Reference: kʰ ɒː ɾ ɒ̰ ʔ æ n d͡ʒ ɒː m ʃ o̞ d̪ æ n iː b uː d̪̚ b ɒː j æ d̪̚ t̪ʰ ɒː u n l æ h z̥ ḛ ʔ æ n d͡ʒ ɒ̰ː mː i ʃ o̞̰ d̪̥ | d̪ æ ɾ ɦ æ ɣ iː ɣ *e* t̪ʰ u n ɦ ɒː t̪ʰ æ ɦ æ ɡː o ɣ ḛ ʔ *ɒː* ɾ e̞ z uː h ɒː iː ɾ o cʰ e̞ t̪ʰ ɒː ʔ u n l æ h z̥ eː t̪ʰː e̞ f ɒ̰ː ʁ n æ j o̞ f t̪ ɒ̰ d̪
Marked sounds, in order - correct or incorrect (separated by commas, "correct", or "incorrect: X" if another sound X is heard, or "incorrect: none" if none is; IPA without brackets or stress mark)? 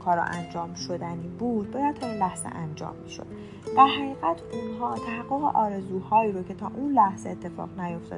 incorrect: æ, correct